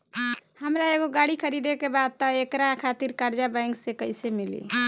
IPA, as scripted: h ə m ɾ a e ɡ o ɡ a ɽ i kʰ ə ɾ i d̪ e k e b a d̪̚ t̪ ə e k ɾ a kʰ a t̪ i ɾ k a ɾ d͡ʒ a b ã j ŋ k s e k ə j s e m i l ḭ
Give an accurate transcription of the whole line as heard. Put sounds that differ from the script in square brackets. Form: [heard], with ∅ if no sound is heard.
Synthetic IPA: h ə m ɾ a e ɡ o ɡ a ɽ i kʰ ə ɾ i d̪ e k e b a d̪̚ t̪ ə e k ɾ a kʰ a t̪ i ɾ k a ɾ d͡ʒ a b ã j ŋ k s e k ə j s e m i l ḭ